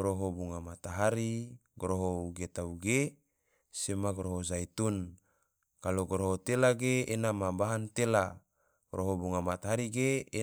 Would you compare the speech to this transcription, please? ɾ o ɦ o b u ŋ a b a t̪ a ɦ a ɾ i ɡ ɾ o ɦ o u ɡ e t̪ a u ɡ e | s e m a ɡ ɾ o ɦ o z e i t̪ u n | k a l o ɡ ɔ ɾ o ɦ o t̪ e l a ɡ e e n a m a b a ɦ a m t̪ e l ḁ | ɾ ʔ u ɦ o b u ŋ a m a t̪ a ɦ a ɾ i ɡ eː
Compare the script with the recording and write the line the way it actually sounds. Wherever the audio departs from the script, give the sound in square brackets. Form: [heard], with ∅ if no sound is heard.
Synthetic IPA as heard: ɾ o ɦ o b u ŋ a [m] a t̪ a ɦ a ɾ i ɡ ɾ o ɦ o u ɡ e t̪ a u ɡ e | s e m a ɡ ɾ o ɦ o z [a] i t̪ u n | k a l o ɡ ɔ ɾ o ɦ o t̪ e l a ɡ e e n a m a b a ɦ a [n] t̪ e l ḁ | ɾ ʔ [o] ɦ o b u ŋ a m a t̪ a ɦ a ɾ i ɡ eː